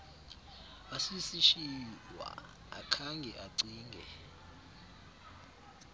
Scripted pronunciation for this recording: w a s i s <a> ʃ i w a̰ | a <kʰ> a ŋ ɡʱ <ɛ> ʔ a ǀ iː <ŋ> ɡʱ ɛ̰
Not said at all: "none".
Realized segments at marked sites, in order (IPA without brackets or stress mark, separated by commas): i, kʰ, ɛ, ŋ